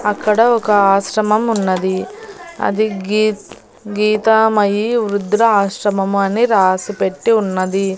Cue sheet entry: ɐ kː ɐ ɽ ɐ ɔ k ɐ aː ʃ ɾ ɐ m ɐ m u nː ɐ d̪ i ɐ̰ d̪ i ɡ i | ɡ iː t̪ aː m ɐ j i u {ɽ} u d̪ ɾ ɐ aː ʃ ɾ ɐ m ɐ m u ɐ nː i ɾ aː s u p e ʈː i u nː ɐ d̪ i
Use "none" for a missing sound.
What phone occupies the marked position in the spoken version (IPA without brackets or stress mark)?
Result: ɾ